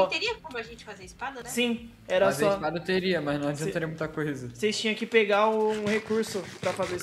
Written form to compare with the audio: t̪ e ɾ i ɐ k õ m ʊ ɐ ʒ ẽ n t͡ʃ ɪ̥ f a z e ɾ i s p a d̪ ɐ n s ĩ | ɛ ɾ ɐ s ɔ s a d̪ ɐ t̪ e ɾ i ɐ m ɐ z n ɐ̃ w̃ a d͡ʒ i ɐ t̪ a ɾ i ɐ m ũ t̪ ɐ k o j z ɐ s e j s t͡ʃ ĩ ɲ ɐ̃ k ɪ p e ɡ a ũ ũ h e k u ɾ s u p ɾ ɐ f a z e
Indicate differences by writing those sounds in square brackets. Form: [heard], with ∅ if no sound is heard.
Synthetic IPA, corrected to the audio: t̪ e ɾ i ɐ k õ m ʊ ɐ ʒ ẽ n t͡ʃ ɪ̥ f a z e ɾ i s p a d̪ ɐ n s ĩ | ɛ ɾ ɐ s ɔ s a d̪ ɐ t̪ e ɾ i ɐ m ɐ z n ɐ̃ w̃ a d͡ʒ i [ɐ̃] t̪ a ɾ i ɐ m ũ t̪ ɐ k o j z ɐ s e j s t͡ʃ ĩ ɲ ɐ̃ k ɪ p e ɡ a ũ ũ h e k u ɾ s [ʊ] p ɾ ɐ f a z e